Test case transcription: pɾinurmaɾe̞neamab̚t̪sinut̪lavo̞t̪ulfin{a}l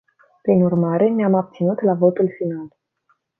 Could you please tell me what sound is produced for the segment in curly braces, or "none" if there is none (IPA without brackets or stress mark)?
a